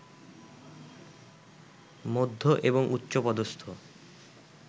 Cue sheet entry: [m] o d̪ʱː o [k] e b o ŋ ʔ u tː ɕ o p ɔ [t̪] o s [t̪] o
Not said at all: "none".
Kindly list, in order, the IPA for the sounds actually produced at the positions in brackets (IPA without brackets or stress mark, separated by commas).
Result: m, ʔ, d̪, t̪ʰ